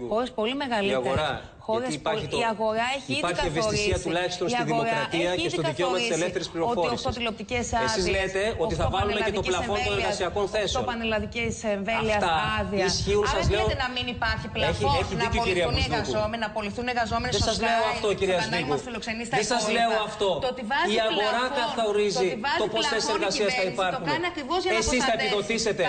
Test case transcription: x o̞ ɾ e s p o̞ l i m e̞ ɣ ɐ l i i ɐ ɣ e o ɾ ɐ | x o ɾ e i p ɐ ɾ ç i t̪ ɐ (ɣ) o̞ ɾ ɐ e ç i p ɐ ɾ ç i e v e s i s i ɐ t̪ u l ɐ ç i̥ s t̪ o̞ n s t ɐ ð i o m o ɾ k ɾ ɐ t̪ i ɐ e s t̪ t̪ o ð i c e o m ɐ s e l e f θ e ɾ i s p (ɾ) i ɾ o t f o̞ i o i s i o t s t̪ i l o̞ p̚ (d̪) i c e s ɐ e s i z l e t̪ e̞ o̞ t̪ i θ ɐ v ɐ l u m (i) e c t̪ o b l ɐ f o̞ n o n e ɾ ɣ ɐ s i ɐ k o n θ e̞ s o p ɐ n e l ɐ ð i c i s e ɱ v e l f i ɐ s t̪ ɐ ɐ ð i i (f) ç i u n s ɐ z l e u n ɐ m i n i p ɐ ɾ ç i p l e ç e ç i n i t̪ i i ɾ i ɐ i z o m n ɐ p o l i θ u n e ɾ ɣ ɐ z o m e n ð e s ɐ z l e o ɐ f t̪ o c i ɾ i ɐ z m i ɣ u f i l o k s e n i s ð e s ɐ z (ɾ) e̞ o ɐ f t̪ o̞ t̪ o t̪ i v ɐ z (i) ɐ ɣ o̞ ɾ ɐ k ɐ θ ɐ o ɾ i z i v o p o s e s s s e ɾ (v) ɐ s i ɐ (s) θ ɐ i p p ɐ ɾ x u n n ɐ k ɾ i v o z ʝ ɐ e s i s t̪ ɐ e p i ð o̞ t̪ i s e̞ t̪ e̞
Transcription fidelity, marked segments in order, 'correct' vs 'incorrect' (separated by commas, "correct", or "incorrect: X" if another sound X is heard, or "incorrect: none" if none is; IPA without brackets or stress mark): correct, incorrect: l, incorrect: t̪, incorrect: e, incorrect: s, incorrect: l, correct, incorrect: ɣ, correct